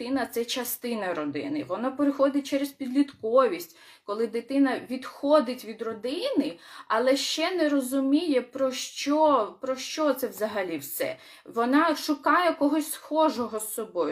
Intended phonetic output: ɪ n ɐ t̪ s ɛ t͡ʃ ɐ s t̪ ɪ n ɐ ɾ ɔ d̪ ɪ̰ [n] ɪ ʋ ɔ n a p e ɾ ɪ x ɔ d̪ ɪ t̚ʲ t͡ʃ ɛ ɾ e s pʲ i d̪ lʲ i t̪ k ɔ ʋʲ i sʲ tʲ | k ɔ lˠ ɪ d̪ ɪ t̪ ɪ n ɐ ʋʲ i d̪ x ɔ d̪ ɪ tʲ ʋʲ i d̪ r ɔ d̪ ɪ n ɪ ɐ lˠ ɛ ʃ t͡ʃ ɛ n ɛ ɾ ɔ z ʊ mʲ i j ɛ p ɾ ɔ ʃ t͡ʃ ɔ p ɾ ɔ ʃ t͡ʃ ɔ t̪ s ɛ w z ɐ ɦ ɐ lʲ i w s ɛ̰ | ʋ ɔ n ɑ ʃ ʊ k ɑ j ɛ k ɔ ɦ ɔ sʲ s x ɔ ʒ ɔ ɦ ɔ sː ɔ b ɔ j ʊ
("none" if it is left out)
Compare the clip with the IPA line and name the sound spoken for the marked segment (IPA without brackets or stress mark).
n